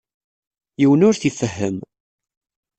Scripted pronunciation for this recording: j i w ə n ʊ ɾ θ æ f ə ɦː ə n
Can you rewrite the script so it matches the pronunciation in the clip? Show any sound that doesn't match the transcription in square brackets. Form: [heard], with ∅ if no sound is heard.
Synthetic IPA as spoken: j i w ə n ʊ ɾ θ [i] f ə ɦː ə [m]